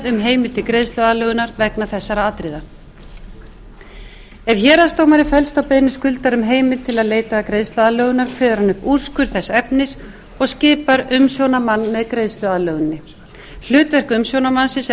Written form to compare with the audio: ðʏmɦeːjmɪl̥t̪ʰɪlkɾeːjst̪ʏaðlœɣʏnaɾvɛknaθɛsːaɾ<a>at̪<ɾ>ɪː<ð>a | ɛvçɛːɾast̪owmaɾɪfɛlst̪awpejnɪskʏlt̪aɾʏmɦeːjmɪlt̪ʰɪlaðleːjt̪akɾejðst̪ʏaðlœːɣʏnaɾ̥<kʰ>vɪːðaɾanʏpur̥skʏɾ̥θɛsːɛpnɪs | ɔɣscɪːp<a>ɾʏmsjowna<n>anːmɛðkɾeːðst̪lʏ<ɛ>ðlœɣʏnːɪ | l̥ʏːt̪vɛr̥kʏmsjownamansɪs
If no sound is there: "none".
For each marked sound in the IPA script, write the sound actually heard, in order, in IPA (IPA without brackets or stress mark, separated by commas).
a, ɾ, ð, kʰ, a, m, a